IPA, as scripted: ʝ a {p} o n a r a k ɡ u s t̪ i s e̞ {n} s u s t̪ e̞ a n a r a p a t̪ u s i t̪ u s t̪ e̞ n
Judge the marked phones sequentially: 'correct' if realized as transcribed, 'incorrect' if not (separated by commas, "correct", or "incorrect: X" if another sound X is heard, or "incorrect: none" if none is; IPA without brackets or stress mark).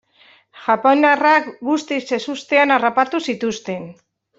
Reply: correct, incorrect: none